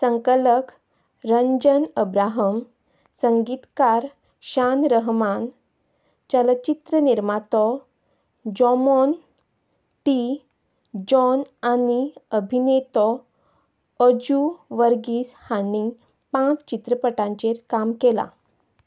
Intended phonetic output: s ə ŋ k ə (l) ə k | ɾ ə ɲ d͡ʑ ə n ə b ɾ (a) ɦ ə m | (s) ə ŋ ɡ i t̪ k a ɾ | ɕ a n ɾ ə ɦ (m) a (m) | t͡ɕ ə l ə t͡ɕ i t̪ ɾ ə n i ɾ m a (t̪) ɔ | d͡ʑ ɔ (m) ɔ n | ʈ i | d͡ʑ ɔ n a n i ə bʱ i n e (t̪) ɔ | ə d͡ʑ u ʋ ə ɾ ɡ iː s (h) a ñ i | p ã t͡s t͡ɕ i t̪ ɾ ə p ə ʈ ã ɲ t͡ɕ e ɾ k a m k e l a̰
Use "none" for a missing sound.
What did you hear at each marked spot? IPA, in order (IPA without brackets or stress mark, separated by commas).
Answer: l, a, s, m, n, t̪, m, t̪, h